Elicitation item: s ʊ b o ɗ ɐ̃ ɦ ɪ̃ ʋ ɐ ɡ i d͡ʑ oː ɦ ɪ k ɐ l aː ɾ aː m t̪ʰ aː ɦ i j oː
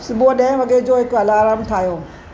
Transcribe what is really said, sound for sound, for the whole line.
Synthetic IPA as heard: s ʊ b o ɗ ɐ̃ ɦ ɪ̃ ʋ ɐ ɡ e d͡ʑ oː ɦ ɪ k ɐ l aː ɾ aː m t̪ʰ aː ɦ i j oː

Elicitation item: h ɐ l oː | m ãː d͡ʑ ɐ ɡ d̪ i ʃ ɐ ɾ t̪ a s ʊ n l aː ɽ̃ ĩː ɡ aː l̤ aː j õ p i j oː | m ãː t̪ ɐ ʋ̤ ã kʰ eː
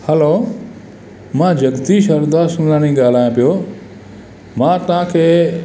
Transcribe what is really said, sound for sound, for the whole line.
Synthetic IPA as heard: h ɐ l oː | m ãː d͡ʑ ɐ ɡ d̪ i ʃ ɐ ɾ d̪ a s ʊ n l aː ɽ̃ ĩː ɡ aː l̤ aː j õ p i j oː | m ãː t̪ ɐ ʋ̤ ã kʰ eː

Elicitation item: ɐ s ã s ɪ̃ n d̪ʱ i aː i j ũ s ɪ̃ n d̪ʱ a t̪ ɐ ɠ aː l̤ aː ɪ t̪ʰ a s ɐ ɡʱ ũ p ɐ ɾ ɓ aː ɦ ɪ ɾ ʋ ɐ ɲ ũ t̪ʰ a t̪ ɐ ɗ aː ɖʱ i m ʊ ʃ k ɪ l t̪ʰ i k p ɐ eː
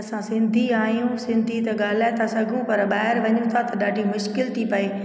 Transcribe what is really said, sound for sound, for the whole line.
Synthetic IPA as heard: ɐ s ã s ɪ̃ n d̪ʱ i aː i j ũ s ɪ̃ n d̪ʱ i t̪ ɐ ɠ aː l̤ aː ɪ t̪ʰ a s ɐ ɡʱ ũ p ɐ ɾ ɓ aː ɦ ɪ ɾ ʋ ɐ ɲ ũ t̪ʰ a t̪ ɐ ɗ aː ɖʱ i m ʊ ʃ k ɪ l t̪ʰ i p ɐ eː

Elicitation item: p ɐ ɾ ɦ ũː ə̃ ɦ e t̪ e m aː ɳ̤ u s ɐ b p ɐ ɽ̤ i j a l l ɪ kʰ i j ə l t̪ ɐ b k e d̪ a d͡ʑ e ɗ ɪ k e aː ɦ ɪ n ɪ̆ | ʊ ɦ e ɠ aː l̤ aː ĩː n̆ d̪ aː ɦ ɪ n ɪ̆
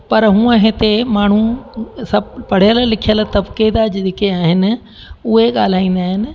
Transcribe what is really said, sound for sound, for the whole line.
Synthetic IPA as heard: p ɐ ɾ ɦ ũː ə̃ ɦ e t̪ e m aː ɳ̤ u s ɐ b p ɐ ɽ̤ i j ə l l ɪ kʰ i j ə l t̪ ɐ b k e d̪ a d͡ʑ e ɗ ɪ k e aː ɦ ɪ n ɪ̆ | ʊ ɦ e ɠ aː l̤ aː ĩː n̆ d̪ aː ɦ ɪ n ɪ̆

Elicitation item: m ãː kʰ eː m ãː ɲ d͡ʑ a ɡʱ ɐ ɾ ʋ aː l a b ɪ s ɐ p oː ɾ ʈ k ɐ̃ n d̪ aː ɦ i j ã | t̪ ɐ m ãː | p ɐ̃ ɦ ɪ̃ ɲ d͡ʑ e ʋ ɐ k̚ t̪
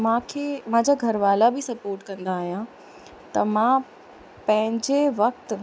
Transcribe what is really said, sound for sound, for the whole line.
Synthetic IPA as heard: m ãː kʰ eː m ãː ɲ d͡ʑ a ɡʱ ɐ ɾ ʋ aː l a b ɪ s ɐ p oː ɾ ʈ k ɐ̃ n d̪ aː ɦ i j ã | t̪ ɐ m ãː | p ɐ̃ ɦ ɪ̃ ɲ d͡ʑ e ʋ ɐ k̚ t̪

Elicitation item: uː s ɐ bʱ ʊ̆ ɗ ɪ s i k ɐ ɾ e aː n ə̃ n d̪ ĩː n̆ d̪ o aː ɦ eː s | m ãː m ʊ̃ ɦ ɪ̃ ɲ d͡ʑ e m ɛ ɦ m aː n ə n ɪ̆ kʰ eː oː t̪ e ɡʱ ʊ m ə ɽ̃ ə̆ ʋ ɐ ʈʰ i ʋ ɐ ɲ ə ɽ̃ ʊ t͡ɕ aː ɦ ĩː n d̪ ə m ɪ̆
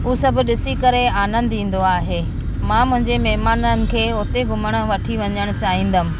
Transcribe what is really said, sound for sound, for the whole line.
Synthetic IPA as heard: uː s ɐ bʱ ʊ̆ ɗ ɪ s i k ɐ ɾ e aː n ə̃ n d̪ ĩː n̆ d̪ o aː ɦ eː | m ãː m ʊ̃ ɦ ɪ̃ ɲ d͡ʑ e m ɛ ɦ m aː n ə n ɪ̆ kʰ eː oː t̪ e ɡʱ ʊ m ə ɽ̃ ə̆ ʋ ɐ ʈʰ i ʋ ɐ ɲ ə ɽ̃ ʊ t͡ɕ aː ɦ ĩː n d̪ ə m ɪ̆

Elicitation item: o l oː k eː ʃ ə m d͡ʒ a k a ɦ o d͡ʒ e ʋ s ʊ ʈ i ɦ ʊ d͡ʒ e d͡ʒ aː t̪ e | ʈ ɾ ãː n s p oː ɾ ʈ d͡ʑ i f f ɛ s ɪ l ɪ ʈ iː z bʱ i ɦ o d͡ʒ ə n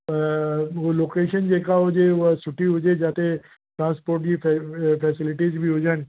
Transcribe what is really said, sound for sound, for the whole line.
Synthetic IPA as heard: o l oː k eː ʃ ə n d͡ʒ e k a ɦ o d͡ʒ e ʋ s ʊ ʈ i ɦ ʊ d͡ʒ e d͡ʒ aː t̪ e | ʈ ɾ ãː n s p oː ɾ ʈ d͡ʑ i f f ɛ s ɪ l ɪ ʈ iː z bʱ i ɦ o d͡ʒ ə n

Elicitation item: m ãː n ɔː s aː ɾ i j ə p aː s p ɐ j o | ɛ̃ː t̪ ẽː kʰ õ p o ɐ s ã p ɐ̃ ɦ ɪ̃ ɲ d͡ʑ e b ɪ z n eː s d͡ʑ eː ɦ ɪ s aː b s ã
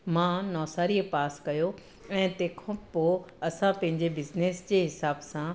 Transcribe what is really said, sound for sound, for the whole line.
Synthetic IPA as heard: m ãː n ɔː s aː ɾ i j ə p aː s k ɐ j o | ɛ̃ː t̪ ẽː kʰ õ p o ɐ s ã p ɐ̃ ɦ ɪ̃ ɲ d͡ʑ e b ɪ z n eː s d͡ʑ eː ɦ ɪ s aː b s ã

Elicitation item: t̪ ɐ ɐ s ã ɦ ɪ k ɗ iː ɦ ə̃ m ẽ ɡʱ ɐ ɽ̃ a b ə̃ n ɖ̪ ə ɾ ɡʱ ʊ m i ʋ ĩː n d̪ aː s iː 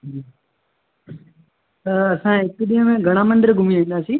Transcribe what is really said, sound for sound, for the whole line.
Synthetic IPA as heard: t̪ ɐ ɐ s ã ɦ ɪ k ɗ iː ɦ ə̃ m ẽ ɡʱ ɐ ɽ̃ a m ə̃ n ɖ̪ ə ɾ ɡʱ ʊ m i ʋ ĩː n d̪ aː s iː

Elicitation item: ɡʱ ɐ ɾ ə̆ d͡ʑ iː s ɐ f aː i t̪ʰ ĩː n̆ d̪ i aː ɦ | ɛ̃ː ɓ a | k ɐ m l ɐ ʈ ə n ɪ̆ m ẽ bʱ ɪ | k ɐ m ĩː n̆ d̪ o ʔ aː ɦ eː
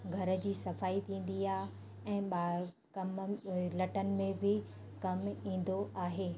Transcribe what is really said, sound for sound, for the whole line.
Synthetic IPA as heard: ɡʱ ɐ ɾ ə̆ d͡ʑ iː s ɐ f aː i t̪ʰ ĩː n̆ d̪ i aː ɦ | ɛ̃ː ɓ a | k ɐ m l ɐ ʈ ə n ɪ̆ m ẽ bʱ ɪ | k ɐ m ĩː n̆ d̪ o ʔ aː ɦ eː

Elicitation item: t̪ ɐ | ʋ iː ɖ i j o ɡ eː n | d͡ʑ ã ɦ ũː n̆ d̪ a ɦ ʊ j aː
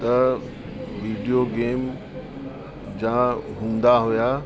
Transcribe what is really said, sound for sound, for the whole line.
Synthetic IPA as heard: t̪ ɐ | ʋ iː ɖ i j o ɡ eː m | d͡ʑ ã ɦ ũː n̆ d̪ a ɦ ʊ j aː

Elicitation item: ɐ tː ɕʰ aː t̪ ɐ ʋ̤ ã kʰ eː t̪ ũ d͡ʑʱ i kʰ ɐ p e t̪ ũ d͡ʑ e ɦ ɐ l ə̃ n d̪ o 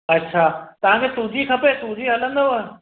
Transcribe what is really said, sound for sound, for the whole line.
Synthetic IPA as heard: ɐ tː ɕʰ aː t̪ ɐ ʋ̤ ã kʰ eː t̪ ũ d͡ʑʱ i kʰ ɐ p e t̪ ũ d͡ʑ i ɦ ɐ l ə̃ n d̪ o

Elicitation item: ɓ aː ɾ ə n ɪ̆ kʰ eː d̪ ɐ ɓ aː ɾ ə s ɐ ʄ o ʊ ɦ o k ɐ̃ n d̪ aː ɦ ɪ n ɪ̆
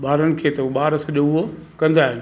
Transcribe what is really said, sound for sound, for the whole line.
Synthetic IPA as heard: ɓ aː ɾ ə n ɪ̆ kʰ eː t̪ ɐ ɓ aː ɾ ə s ɐ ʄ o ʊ ɦ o k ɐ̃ n d̪ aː ɦ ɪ n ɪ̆

